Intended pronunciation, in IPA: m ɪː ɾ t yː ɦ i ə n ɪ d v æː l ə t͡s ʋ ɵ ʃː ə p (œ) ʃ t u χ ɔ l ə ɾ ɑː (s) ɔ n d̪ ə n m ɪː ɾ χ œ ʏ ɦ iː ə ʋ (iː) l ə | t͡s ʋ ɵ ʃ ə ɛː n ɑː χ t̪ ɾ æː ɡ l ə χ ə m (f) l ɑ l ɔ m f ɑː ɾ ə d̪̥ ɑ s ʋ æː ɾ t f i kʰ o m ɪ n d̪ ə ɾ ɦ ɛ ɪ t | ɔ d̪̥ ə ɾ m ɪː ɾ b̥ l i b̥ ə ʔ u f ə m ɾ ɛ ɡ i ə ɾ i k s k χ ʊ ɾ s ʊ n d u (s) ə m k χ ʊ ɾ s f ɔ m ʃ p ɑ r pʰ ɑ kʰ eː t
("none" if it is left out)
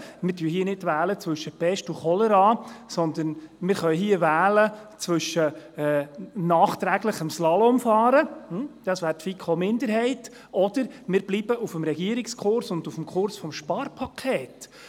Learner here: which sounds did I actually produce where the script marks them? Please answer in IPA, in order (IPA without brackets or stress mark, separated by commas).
ɛ, s, æː, s, f